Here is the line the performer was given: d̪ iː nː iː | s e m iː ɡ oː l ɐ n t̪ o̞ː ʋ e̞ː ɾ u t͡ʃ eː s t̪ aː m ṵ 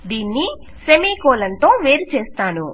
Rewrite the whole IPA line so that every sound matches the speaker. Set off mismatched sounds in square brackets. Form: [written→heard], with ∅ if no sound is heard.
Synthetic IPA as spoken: d̪ iː nː [iː→i] | s e m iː [ɡ→k] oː l ɐ n t̪ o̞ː ʋ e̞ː ɾ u t͡ʃ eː s t̪ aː [m→n] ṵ

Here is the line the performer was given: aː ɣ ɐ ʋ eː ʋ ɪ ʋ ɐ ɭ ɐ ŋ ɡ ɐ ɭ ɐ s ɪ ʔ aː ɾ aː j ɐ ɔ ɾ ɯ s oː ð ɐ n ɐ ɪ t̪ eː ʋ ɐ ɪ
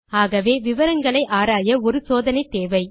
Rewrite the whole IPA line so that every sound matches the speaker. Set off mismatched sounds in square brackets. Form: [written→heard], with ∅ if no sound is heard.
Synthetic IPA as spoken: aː ɣ ɐ ʋ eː ʋ ɪ ʋ ɐ [ɭ→ɾ] ɐ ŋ ɡ ɐ ɭ ɐ [s→∅] ɪ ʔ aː ɾ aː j ɐ ɔ ɾ ɯ s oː ð ɐ n ɐ ɪ t̪ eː ʋ ɐ ɪ

